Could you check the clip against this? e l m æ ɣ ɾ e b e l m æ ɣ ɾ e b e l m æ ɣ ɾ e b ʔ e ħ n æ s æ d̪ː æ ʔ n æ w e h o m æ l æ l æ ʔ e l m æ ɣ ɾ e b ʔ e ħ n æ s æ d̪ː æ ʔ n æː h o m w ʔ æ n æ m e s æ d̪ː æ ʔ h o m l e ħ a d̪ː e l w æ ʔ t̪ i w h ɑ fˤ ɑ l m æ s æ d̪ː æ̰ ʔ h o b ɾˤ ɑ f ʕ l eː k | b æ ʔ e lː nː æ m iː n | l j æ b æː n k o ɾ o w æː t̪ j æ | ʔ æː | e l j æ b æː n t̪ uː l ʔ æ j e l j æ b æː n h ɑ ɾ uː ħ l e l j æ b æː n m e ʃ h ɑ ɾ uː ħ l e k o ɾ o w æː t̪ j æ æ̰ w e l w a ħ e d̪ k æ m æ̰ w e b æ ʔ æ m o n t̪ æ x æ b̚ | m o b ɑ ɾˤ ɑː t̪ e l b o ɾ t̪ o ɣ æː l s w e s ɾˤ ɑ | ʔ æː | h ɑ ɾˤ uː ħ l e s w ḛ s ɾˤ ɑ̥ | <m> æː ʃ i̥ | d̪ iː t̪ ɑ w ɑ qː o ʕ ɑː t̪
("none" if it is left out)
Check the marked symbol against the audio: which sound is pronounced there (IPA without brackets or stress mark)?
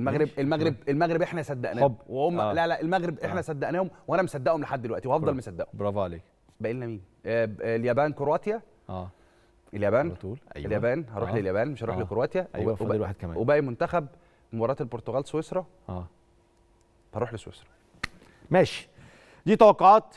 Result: m